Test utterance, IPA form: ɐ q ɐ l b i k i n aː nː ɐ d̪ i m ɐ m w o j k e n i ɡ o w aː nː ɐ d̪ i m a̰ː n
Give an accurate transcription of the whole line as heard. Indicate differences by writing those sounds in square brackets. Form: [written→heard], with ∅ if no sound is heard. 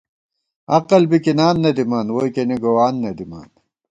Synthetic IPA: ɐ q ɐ l b i k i n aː nː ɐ d̪ i m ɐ [m→n] w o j k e n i ɡ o w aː nː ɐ d̪ i m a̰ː n